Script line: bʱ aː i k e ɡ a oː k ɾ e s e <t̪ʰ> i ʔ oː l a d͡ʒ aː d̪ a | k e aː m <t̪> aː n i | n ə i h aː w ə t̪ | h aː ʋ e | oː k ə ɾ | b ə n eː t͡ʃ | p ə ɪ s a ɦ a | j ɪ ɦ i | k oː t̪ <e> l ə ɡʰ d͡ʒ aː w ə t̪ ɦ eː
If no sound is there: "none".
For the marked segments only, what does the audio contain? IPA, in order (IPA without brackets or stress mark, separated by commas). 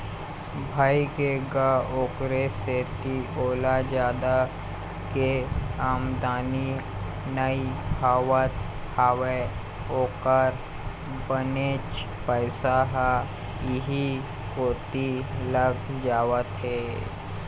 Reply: t̪, d̪, i